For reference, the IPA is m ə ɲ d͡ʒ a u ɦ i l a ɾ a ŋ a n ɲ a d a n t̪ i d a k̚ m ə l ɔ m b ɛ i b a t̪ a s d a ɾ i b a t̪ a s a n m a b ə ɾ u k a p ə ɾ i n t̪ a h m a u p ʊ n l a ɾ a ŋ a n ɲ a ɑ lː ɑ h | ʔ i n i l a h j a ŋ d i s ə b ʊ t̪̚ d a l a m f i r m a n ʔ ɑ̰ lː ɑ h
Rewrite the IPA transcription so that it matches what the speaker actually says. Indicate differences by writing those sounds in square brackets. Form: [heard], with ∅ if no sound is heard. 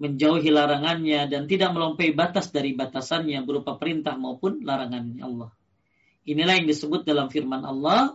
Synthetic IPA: m ə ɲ d͡ʒ a u ɦ i l a ɾ a ŋ a n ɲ a d a n t̪ i d a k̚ m ə l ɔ m [p] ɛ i b a t̪ a s d a ɾ i b a t̪ a s a n [ɲ] a b ə ɾ u [p] a p ə ɾ i n t̪ a h m a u p ʊ n l a ɾ a ŋ a n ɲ a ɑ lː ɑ h | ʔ i n i l a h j a ŋ d i s ə b ʊ t̪̚ d a l a m f i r m a n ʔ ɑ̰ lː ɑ h